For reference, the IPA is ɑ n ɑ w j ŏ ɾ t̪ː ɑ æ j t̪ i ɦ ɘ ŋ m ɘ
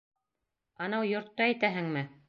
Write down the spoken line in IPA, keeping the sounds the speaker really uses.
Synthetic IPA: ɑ n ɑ w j ŏ ɾ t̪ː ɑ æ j t̪ æ ɦ ɘ ŋ m ɘ

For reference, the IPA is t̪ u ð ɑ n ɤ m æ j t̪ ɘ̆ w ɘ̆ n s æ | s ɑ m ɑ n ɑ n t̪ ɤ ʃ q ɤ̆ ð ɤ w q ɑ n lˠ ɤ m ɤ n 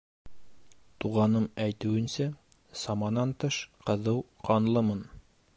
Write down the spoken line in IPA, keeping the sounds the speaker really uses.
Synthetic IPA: t̪ u ʁ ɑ n ɤ m æ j t̪ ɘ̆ w ɘ̆ n s æ | s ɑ m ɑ n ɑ n t̪ ɤ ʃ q ɤ̆ ð ɤ w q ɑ n lˠ ɤ m ɤ n

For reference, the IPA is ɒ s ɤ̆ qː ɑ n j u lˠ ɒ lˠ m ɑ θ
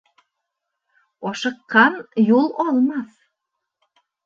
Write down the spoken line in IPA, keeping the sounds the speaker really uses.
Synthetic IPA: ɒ ʃ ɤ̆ qː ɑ n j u lˠ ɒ lˠ m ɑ θ

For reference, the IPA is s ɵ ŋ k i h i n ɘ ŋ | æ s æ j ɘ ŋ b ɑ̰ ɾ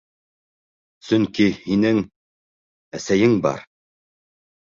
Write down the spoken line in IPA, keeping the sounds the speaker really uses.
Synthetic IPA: s ɵ ŋ k i h i n ɘ ŋ | æ s æ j ɘ ŋ b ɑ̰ ɾ

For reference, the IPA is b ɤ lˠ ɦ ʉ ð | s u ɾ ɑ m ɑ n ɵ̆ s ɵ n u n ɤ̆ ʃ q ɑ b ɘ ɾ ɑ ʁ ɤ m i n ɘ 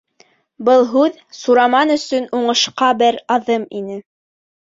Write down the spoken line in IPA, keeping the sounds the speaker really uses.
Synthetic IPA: b ɤ lˠ ɦ ʉ ð | s u ɾ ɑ m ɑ n ɵ̆ s ɵ n u ɴ ɤ̆ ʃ q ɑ b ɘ ɾ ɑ ð ɤ m i n ɘ

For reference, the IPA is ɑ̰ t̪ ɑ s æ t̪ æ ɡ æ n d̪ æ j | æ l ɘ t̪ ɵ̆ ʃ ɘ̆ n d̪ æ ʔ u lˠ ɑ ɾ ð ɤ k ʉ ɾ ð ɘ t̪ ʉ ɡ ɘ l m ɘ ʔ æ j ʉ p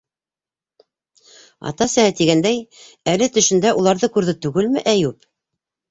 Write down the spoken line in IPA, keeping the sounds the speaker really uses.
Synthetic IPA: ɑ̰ t̪ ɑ s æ t̪ i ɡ æ n d̪ æ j | æ l ɘ t̪ ɵ̆ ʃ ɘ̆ n d̪ æ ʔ u lˠ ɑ ɾ ð ɤ k ʉ ɾ ð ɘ t̪ ʉ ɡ ɘ l m ɘ ʔ æ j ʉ p

